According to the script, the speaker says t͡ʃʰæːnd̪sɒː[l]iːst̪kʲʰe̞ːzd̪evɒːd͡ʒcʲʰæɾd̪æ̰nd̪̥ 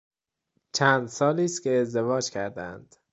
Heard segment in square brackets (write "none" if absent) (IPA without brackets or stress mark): l